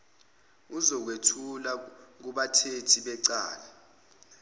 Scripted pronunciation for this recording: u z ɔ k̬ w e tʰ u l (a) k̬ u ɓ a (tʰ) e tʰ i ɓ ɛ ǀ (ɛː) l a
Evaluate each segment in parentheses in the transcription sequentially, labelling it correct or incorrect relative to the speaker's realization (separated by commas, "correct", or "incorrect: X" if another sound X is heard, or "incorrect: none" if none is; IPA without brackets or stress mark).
correct, correct, incorrect: aː